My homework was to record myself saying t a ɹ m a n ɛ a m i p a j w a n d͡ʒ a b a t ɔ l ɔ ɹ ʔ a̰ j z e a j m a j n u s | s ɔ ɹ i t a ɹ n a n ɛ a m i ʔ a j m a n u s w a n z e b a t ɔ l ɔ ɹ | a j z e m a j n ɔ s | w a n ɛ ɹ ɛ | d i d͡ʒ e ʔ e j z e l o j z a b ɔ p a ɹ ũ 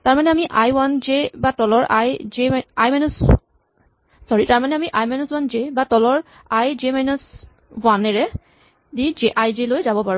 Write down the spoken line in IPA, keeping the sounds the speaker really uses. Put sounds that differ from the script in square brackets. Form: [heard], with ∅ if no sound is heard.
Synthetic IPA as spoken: t a ɹ m a n ɛ a m i [ʔ] a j w a n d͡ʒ [e] b a t ɔ l ɔ ɹ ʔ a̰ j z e a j m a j n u s | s ɔ ɹ i t a ɹ [m] a n ɛ a m i ʔ a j m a n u s w a n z e b a t ɔ l ɔ ɹ | a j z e m a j n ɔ s | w a n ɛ ɹ ɛ | d i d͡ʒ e ʔ [a] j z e l o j z a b ɔ p a ɹ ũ